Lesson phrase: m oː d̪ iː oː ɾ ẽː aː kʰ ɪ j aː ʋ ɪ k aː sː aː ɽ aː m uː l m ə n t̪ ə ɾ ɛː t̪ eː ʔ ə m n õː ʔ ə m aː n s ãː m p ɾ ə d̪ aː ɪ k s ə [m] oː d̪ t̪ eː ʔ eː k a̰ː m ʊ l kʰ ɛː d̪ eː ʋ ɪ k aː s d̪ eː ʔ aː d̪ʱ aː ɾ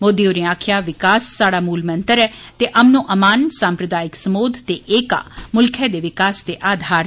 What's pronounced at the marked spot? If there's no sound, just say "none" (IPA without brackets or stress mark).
m